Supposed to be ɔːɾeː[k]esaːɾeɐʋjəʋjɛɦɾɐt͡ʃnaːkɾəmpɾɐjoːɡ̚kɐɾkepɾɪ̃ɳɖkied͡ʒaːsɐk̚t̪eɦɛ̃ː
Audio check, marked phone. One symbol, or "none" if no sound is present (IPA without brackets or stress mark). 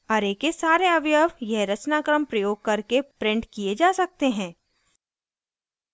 k